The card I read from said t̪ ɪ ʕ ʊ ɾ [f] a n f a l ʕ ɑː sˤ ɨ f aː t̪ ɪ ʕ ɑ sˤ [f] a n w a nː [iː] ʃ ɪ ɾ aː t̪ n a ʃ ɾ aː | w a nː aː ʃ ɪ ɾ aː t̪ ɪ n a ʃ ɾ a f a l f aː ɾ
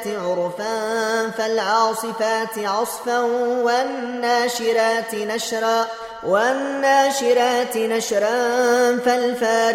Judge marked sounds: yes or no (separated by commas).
yes, yes, no